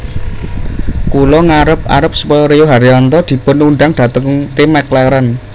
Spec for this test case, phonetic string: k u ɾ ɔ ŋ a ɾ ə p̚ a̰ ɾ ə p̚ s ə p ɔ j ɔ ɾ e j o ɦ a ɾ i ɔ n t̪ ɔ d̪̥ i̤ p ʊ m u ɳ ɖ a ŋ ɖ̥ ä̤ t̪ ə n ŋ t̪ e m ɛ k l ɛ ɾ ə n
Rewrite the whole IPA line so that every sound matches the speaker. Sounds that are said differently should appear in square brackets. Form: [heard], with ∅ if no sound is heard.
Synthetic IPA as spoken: k u [l] ɔ ŋ a ɾ ə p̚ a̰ ɾ ə p̚ s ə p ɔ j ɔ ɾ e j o ɦ a ɾ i ɔ n t̪ ɔ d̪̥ i̤ p ʊ [n] u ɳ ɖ a ŋ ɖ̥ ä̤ t̪ ə [ŋ] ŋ t̪ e m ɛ k l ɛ ɾ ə n